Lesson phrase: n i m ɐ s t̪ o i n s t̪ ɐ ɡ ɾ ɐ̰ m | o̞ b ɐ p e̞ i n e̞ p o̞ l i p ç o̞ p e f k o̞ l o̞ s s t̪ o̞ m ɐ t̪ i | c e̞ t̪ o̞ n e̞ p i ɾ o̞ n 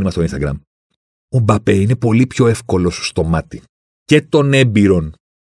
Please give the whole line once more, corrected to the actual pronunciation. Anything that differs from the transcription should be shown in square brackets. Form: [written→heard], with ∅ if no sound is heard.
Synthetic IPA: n i m ɐ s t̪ o i n s t̪ ɐ ɡ ɾ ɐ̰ m | o̞ b ɐ p e̞ i n e̞ p o̞ l i p ç o̞ [p→∅] e f k o̞ l o̞ s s t̪ o̞ m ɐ t̪ i | c e̞ t̪ o̞ n e̞ [p→b] i ɾ o̞ n